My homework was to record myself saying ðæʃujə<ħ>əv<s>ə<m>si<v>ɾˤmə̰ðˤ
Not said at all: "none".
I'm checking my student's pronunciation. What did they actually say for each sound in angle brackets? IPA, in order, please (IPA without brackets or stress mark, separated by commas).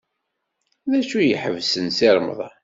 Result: ħ, s, n, none